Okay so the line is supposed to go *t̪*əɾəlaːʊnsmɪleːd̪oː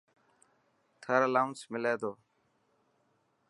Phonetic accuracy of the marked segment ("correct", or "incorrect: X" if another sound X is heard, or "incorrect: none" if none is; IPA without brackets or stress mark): incorrect: t̪ʰ